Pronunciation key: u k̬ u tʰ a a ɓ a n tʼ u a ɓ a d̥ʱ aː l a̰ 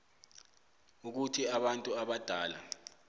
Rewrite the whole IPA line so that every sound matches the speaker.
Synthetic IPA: u k̬ u tʰ i a ɓ a n tʼ u a ɓ a d̥ʱ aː l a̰